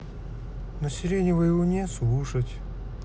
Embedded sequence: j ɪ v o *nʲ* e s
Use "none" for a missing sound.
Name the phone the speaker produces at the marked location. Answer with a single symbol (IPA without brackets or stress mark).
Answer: nʲ